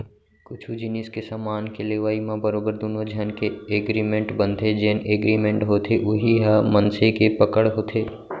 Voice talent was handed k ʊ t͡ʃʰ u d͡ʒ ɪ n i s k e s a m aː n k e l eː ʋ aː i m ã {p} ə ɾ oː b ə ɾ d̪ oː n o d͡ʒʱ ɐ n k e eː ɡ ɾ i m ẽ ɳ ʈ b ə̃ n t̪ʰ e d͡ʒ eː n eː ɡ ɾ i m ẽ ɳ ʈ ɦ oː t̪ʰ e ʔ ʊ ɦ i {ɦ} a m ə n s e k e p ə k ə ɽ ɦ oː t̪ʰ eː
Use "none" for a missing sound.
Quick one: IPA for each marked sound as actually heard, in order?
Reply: b, ɦ

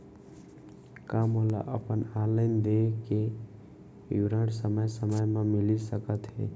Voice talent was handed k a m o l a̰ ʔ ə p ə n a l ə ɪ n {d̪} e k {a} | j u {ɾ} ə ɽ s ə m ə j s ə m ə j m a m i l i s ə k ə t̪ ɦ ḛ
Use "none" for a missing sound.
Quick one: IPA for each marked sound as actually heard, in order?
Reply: d̪, e, ɾ

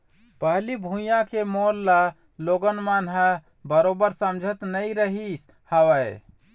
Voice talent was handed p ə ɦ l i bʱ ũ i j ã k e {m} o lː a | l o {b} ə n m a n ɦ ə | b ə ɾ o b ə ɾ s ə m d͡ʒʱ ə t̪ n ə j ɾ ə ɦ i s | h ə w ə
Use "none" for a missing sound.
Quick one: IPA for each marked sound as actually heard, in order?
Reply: m, ɡ

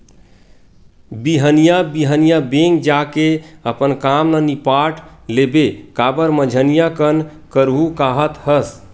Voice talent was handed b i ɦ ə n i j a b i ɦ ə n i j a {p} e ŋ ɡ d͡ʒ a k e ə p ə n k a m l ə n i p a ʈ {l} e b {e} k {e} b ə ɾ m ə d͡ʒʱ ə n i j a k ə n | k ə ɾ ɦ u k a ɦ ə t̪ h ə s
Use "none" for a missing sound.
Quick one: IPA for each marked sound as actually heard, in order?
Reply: b, l, e, a

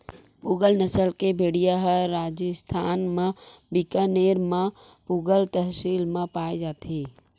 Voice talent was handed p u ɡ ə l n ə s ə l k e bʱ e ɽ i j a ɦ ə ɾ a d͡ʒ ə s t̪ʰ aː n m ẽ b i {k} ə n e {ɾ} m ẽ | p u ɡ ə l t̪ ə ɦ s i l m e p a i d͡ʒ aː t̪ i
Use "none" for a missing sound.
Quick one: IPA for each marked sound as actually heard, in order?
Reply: k, ɾ

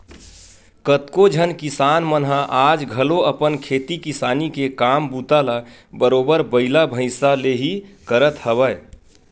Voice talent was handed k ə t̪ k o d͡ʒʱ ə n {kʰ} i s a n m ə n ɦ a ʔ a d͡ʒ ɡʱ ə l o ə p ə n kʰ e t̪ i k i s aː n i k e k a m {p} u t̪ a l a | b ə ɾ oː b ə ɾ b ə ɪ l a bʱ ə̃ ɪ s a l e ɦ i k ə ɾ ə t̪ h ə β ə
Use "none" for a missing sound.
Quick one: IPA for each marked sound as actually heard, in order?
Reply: k, b

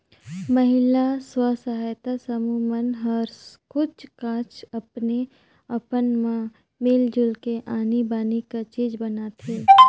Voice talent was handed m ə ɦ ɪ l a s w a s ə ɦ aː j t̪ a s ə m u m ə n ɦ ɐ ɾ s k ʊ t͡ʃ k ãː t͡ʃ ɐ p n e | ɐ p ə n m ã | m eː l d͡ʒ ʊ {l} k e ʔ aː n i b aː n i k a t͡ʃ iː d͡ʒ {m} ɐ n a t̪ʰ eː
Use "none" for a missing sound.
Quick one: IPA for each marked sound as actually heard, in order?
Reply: l, b

